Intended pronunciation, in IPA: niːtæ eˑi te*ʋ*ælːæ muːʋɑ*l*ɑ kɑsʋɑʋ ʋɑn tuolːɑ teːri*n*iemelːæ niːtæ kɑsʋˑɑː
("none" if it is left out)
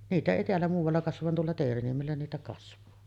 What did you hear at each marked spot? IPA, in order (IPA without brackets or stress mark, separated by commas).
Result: none, lː, n